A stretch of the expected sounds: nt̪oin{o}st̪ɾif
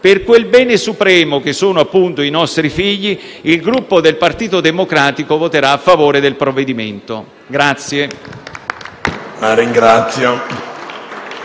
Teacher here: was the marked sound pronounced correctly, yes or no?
no